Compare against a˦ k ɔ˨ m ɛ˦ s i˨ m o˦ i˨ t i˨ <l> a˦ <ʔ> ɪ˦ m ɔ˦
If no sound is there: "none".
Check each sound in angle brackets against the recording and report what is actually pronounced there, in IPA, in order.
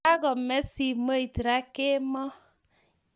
ɾ, k

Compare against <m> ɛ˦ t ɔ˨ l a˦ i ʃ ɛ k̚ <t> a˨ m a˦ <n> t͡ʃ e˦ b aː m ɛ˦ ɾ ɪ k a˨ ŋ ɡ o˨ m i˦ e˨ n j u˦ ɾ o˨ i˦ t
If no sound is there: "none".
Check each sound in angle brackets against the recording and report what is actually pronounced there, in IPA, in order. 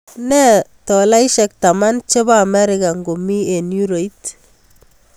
n, t, n

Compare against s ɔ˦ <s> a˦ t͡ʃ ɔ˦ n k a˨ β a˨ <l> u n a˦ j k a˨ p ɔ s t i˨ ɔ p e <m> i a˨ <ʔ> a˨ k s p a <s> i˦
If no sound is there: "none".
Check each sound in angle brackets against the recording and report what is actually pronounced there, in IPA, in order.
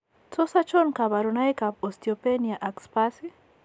s, ɾ, n, ʔ, s

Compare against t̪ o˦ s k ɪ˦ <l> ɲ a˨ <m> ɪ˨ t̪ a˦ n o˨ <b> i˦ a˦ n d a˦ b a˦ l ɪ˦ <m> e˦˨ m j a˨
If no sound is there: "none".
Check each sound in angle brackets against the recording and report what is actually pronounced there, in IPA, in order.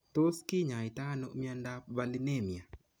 none, none, m, n

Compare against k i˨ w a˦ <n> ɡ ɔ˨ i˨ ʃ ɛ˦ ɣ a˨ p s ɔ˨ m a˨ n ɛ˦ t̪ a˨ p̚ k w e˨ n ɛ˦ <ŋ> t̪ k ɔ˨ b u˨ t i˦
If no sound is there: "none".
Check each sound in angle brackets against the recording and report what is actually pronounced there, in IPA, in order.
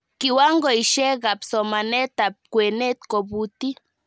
ŋ, none

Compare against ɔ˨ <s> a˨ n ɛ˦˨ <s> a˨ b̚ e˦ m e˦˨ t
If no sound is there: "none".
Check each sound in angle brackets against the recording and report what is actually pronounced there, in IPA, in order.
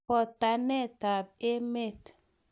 t, t

